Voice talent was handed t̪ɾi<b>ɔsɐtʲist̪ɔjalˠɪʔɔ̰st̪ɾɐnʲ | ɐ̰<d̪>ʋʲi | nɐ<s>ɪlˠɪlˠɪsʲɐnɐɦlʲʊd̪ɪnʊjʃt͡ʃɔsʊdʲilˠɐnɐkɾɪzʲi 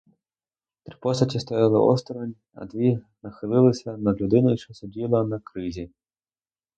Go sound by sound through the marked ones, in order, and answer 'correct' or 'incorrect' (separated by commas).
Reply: incorrect, correct, incorrect